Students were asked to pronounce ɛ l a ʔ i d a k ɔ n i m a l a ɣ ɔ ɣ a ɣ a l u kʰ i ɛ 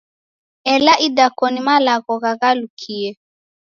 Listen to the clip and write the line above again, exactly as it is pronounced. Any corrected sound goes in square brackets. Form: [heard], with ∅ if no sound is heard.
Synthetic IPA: ɛ l a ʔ i d a k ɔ n i m a l a ɣ ɔ ɣ a ɣ a l u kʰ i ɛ

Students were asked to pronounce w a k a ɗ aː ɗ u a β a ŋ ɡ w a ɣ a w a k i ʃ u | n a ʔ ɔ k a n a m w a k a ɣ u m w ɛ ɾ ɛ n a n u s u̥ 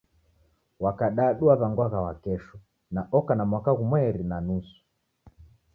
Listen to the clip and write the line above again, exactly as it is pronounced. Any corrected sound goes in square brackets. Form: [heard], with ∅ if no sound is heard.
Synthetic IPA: w a k a ɗ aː ɗ u a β a ŋ ɡ w a ɣ a w a k [ɛ] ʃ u | n a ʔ ɔ k a n a m w a k a ɣ u m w ɛ ɾ [i] n a n u s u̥

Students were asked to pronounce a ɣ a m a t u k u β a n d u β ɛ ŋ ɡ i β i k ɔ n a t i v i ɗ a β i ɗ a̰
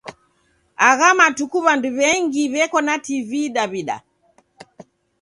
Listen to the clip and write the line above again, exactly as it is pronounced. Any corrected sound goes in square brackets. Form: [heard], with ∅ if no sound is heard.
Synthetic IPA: a ɣ a m a t u k u β a n d u β ɛ ŋ ɡ i β [ɛ] k ɔ n a t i v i ɗ a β i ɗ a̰

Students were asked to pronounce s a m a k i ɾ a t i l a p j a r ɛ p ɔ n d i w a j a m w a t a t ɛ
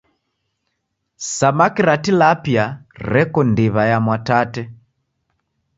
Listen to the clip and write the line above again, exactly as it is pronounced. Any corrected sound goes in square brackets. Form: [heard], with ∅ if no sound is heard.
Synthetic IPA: s a m a k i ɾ a t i l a p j a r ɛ [k] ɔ n d i [β] a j a m w a t a t ɛ

